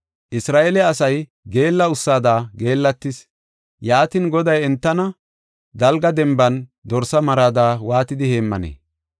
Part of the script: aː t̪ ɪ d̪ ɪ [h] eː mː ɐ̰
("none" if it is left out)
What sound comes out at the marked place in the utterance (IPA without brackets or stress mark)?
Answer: h